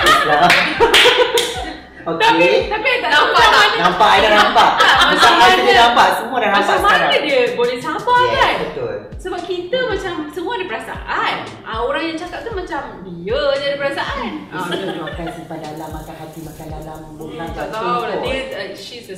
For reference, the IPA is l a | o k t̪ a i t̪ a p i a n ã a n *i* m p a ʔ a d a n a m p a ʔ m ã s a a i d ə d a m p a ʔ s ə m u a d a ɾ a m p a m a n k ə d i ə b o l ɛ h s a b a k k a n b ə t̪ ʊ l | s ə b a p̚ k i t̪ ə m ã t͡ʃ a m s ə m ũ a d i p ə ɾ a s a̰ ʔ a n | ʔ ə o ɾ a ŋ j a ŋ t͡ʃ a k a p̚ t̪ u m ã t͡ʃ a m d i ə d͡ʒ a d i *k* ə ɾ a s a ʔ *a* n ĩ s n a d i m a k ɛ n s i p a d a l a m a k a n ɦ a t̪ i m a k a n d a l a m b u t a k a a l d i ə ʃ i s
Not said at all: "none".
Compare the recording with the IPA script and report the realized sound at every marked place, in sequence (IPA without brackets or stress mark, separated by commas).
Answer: a, p, a